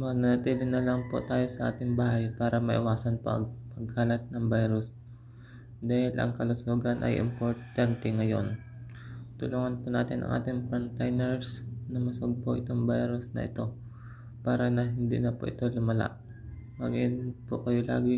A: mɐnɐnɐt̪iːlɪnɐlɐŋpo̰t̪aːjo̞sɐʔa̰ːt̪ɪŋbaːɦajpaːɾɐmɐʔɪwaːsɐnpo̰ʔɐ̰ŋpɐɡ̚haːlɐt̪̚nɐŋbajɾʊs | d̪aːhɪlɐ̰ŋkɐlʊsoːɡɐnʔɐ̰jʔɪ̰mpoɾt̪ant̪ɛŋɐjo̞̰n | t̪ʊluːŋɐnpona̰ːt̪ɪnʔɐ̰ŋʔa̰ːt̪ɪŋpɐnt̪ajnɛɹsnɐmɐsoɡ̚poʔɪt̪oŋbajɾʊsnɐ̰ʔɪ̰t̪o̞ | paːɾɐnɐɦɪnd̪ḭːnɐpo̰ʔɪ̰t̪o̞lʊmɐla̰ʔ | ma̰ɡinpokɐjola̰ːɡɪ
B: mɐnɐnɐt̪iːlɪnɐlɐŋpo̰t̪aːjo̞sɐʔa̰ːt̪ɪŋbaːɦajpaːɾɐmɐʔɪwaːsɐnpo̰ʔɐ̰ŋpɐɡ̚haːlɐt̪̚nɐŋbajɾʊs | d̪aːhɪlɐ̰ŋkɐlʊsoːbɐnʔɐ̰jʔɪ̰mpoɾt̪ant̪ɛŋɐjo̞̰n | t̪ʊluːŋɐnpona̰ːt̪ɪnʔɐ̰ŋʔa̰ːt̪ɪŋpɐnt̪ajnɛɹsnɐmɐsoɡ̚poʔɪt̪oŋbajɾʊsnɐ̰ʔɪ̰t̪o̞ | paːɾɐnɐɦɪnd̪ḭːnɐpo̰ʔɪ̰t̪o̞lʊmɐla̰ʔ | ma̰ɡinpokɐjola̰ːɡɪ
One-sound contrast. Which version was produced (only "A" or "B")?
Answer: A